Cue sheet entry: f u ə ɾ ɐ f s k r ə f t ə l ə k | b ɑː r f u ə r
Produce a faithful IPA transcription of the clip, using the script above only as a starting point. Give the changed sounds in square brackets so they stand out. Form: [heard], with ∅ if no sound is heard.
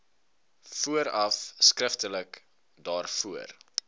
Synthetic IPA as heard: f u ə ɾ ɐ f s k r ə f t ə l ə k | [d] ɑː r f u ə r